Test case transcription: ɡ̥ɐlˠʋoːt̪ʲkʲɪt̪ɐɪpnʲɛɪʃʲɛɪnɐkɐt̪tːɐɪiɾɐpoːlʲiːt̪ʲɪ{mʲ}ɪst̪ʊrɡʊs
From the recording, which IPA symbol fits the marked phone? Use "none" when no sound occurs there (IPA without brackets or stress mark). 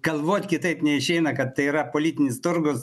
nʲ